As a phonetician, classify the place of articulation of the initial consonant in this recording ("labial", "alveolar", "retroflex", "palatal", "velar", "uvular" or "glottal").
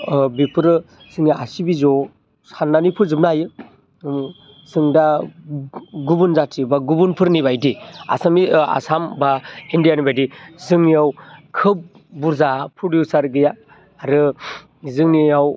labial